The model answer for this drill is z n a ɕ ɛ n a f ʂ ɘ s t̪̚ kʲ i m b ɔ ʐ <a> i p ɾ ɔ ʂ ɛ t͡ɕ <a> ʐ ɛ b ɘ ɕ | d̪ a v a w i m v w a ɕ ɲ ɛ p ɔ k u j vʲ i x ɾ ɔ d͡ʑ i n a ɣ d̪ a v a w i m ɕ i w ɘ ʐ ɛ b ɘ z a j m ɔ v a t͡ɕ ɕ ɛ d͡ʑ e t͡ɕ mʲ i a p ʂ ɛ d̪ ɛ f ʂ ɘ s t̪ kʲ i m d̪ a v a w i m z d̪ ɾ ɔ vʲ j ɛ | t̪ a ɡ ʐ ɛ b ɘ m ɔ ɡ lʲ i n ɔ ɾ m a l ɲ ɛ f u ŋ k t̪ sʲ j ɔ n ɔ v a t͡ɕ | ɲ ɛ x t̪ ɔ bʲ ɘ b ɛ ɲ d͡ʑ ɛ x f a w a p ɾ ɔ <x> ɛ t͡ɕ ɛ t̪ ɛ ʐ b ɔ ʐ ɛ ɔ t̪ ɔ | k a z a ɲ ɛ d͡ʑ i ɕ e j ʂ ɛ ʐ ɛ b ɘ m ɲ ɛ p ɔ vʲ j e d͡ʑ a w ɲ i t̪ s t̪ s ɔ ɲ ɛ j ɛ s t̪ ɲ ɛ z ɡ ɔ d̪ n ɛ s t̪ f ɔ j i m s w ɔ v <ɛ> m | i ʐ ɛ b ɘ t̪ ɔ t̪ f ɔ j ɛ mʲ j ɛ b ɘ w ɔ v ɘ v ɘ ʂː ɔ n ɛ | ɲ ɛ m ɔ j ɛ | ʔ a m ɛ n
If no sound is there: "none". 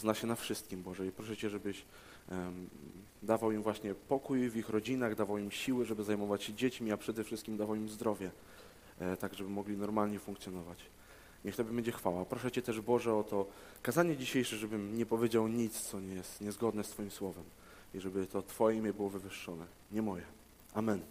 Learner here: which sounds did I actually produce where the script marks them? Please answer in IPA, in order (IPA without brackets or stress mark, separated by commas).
ɛ, ɛ, ʂ, ɛ